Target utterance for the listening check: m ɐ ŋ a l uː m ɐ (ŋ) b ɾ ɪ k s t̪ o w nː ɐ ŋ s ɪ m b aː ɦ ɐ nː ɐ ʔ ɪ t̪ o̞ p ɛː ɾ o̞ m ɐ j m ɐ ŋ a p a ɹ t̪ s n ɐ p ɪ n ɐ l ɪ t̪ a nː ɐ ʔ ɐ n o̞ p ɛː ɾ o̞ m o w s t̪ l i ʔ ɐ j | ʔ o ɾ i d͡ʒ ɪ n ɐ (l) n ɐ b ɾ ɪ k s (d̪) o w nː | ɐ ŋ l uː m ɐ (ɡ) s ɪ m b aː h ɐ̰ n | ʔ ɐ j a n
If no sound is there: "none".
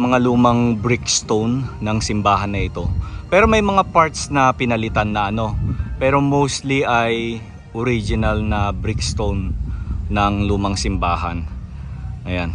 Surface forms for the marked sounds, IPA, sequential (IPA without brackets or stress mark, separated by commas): ŋ, l, t̪, ŋ